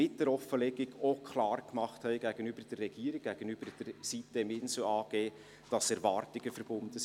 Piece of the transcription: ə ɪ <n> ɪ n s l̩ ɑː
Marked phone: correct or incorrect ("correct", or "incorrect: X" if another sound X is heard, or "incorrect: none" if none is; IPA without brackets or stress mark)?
incorrect: m